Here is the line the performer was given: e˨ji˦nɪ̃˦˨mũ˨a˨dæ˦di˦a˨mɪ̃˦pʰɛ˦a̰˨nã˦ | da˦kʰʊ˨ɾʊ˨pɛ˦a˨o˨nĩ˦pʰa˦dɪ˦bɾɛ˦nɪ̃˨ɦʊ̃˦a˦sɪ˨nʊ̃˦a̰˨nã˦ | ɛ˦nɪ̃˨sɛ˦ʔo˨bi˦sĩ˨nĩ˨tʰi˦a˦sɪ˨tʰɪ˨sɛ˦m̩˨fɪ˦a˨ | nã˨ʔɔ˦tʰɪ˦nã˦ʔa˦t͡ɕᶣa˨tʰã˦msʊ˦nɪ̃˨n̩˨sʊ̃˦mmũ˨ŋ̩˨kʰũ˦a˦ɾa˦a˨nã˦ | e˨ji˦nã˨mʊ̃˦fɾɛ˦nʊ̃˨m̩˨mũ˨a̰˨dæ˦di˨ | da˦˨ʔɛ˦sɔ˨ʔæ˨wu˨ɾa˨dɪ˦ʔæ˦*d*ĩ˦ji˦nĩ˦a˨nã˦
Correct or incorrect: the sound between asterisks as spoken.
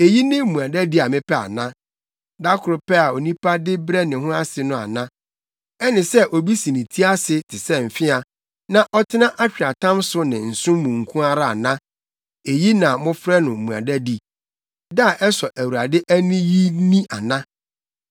incorrect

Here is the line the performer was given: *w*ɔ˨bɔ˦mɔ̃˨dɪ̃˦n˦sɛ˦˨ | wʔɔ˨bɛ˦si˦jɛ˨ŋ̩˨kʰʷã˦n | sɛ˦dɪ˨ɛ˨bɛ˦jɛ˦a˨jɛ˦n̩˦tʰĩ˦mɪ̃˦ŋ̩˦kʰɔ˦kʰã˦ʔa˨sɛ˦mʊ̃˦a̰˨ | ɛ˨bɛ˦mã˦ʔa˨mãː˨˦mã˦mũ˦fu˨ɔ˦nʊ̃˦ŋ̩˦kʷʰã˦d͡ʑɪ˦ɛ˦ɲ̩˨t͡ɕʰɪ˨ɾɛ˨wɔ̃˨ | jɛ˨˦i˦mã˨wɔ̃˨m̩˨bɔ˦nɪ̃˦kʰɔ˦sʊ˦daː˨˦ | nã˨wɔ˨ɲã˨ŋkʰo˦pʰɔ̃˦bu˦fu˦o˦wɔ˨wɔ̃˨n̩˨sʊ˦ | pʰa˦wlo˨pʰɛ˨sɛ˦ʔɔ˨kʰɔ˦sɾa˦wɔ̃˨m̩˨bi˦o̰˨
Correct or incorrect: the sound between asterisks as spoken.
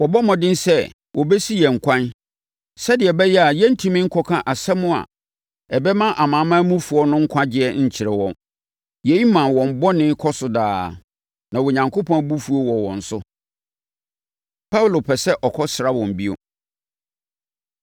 correct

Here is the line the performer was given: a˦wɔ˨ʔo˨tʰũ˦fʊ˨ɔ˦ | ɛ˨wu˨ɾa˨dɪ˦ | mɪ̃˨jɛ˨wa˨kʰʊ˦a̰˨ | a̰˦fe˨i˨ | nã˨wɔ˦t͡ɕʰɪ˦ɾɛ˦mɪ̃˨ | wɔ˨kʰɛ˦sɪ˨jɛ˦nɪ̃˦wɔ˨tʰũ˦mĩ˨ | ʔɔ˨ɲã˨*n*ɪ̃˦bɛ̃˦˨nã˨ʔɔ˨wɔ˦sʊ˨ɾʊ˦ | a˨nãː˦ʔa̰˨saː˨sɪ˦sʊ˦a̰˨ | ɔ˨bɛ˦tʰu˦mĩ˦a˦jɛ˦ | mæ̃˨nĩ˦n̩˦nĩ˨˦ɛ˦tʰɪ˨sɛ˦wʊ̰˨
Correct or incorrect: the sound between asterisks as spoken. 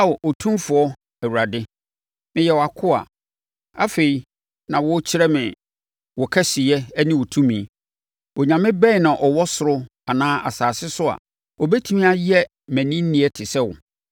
incorrect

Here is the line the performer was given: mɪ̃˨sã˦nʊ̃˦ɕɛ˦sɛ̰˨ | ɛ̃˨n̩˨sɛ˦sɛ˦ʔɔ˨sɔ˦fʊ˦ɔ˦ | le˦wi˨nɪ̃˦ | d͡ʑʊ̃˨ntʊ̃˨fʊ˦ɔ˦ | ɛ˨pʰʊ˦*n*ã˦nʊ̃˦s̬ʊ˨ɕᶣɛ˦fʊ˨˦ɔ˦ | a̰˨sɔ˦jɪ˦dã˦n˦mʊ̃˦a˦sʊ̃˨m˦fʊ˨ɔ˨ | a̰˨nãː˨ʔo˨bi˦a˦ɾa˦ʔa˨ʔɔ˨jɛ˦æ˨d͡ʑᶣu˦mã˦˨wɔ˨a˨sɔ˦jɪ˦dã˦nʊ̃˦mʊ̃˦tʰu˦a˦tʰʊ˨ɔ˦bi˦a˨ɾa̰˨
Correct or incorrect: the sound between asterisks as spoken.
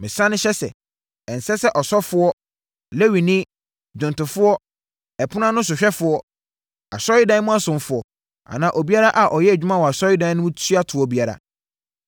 correct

